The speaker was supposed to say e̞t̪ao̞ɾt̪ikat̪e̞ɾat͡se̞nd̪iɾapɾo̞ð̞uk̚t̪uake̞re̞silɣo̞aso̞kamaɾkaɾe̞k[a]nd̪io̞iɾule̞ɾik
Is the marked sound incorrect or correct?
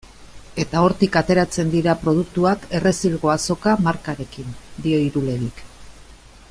incorrect